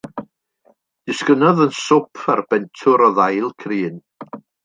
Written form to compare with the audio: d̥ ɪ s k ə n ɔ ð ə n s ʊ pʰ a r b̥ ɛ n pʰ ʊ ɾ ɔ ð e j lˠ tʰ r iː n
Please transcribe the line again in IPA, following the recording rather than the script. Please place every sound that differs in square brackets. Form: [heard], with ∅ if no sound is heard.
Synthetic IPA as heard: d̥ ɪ s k ə n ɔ ð ə n s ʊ pʰ a r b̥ ɛ n [tʰ] ʊ ɾ ɔ ð [a] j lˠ [kʰ] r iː n